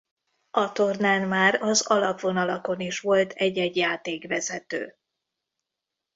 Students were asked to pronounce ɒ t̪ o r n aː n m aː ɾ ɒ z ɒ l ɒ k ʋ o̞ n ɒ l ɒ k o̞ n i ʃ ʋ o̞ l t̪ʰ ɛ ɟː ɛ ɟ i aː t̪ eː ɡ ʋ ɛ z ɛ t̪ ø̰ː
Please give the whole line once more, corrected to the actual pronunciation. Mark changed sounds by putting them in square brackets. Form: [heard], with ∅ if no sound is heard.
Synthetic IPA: ɒ t̪ o r n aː n m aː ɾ ɒ z ɒ l ɒ [p] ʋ o̞ n ɒ l ɒ k o̞ n i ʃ ʋ o̞ l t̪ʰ ɛ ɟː ɛ ɟ [j] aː t̪ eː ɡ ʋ ɛ z ɛ t̪ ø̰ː